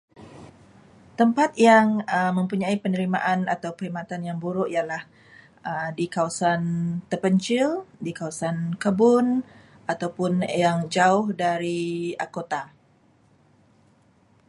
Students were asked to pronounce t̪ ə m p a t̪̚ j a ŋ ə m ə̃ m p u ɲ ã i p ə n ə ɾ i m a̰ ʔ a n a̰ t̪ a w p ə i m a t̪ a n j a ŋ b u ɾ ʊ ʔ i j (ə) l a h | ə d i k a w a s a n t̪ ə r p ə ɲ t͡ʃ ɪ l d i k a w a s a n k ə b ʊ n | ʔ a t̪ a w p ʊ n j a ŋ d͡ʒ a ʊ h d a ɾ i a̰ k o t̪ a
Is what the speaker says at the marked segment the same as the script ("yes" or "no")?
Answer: no